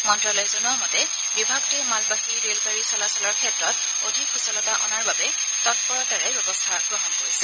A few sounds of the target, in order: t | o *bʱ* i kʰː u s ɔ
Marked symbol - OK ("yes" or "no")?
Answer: no